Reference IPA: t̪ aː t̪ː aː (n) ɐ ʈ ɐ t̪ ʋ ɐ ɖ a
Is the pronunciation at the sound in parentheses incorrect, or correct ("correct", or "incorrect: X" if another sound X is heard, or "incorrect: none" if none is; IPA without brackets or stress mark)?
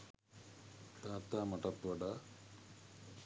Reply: incorrect: m